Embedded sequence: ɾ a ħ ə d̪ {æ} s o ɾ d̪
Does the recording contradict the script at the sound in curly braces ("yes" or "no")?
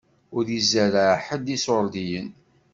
yes